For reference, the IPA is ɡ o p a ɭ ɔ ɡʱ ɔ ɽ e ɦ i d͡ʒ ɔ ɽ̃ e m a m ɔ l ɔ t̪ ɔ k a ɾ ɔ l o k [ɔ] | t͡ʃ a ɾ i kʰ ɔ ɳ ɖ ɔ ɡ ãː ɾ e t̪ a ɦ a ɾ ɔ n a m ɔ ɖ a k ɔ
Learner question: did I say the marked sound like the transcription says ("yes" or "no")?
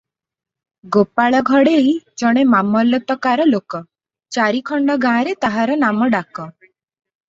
yes